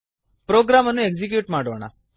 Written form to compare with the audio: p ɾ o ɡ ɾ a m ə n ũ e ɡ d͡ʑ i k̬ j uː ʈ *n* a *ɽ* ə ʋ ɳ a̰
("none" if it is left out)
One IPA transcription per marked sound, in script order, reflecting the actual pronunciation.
m, ɽ

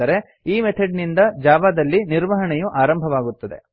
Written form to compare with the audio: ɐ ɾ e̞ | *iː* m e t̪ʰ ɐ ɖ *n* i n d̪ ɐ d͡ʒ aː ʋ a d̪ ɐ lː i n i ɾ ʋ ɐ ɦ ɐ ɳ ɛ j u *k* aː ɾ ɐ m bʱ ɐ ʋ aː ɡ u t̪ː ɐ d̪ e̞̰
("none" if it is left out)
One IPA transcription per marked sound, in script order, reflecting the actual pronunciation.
iː, n, ʔ

